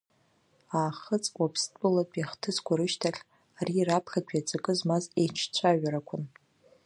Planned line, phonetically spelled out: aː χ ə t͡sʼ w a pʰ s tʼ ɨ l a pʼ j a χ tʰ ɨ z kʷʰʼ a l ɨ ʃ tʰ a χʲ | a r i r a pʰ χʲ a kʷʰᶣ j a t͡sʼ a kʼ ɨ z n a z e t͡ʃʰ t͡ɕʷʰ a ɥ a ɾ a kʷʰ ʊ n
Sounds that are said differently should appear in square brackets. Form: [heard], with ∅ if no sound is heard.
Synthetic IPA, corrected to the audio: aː χ ə t͡sʼ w a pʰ s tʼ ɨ l a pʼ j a χ tʰ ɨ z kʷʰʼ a [ɾ] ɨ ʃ tʰ a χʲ | a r i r a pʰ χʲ a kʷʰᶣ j a t͡sʼ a kʼ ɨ z [m] a z e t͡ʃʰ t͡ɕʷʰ a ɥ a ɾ a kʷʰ ʊ n

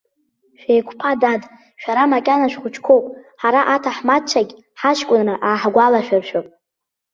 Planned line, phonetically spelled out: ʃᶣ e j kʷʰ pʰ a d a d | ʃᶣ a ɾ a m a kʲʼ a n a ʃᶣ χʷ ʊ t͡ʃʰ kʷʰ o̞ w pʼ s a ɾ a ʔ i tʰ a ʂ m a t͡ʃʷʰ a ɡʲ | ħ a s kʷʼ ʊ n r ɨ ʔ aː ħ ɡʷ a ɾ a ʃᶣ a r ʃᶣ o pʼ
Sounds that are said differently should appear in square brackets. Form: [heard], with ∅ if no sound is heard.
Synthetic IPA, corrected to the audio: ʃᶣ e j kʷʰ pʰ a d a d | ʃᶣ a ɾ a m a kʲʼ a n a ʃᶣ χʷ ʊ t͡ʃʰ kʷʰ o̞ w pʼ [ħ] a ɾ a ʔ [a] tʰ a [ħ] m a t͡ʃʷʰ a ɡʲ | ħ a [ʃ] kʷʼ ʊ n r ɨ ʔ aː ħ ɡʷ a [l] a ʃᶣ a r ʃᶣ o pʼ

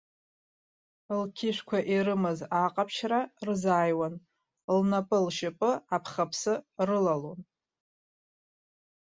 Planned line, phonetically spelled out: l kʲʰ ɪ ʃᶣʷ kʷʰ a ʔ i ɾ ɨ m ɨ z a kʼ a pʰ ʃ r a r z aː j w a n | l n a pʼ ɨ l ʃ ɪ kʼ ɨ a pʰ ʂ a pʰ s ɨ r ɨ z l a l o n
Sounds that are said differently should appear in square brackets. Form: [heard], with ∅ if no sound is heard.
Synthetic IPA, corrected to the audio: l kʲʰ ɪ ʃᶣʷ kʷʰ a ʔ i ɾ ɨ m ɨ z a [qʼ] a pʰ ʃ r a r z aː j w a n | l n a pʼ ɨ l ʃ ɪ [pʼ] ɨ a pʰ [χ] a pʰ s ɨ r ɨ [∅] l a l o n

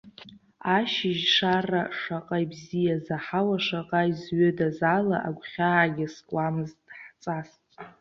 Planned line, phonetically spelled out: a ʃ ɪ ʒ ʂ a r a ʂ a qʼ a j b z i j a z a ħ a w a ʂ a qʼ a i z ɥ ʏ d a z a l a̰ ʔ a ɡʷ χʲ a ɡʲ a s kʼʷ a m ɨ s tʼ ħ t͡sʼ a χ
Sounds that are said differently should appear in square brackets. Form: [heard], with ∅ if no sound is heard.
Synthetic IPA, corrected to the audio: a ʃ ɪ ʒ ʂ a r a ʂ a qʼ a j b z i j a z a ħ a w a ʂ a qʼ a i z ɥ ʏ d a z a l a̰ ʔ a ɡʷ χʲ a ɡʲ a s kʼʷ a m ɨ [z] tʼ ħ t͡sʼ a [s]

